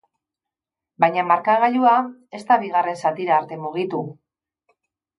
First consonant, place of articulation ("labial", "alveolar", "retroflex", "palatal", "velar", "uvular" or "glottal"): labial